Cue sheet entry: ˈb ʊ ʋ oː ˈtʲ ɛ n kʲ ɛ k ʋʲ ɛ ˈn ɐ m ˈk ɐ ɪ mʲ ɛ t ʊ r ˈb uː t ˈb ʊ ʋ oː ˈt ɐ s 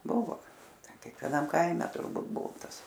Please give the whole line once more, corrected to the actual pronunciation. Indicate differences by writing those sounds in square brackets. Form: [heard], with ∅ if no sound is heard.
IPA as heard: ˈb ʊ ʋ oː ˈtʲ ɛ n kʲ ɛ k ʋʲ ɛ ˈn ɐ m ˈk ɐ ɪ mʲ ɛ t ʊ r ˈb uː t ˈb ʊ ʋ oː ˈt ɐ s